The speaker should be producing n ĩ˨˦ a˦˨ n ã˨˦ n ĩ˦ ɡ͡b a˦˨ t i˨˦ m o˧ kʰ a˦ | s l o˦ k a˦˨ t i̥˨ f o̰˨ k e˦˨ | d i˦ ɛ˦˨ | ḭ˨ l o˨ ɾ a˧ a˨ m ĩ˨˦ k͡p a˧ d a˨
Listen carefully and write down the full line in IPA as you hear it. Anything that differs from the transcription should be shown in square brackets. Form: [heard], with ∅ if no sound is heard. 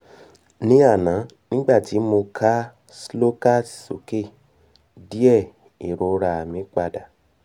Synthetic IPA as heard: n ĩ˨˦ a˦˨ n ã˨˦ n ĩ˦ ɡ͡b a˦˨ t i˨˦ m o˧ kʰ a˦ | s l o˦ k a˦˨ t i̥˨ [s] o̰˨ k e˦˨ | d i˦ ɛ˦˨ | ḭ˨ [ɾ] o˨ ɾ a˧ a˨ m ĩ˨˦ k͡p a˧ d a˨